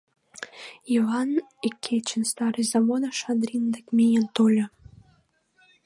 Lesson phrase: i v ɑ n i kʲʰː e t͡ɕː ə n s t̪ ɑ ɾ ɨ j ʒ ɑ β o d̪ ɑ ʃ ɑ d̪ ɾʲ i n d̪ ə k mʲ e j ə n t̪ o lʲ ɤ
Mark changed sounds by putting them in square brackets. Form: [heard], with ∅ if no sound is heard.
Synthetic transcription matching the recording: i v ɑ n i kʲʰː e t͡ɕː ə n s t̪ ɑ ɾ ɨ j [z] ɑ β o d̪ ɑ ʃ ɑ d̪ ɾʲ i n d̪ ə k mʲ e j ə n t̪ o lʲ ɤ